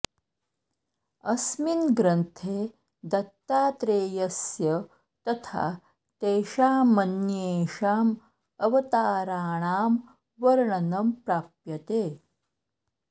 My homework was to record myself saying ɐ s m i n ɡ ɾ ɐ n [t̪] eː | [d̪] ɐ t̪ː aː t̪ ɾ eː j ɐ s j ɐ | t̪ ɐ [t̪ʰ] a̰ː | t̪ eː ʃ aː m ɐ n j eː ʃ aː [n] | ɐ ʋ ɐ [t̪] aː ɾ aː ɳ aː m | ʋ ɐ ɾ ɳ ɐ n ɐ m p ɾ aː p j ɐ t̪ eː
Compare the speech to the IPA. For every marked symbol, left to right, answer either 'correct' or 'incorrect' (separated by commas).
incorrect, correct, correct, incorrect, correct